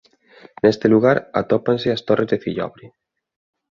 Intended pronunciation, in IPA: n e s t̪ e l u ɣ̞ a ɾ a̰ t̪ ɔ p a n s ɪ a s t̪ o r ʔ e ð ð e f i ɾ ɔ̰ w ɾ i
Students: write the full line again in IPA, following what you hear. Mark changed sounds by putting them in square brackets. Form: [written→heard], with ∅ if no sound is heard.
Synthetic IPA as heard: n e s t̪ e l u ɣ̞ a ɾ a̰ t̪ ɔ p a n s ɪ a s t̪ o r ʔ e [ð→z] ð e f i [ɾ→ʎ] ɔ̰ [w→β] ɾ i